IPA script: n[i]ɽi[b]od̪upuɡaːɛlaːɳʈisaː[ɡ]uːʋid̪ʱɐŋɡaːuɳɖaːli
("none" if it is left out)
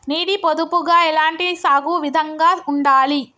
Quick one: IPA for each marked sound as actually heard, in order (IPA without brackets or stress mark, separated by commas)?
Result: iː, p, ɡ